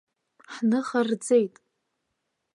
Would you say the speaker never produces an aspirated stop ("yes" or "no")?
yes